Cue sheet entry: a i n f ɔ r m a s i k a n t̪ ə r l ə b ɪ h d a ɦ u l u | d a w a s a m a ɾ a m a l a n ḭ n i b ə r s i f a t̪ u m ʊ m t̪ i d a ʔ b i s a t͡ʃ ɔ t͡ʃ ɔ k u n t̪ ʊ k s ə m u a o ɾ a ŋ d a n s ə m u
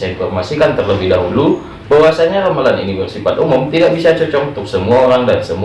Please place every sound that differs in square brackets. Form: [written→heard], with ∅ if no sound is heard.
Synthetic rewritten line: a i n f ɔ r m a s i k a n t̪ ə r l ə b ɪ h d a ɦ u l u | [d→b] a w a s a [m→ɲ] a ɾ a m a l a n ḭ n i b ə r s i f a t̪ u m ʊ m t̪ i d a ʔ b i s a t͡ʃ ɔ t͡ʃ ɔ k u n t̪ ʊ k s ə m u a o ɾ a ŋ d a n s ə m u